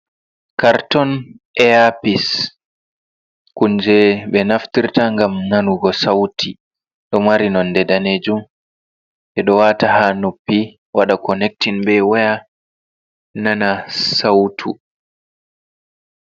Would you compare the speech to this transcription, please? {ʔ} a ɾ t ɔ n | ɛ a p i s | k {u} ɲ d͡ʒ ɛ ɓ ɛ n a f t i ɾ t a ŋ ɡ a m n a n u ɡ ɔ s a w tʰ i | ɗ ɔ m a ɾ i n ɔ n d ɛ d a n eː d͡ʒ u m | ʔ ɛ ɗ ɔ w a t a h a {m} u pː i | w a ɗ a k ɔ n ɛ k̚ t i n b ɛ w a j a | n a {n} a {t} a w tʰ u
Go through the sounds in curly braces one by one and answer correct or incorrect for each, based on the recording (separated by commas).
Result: incorrect, correct, incorrect, correct, incorrect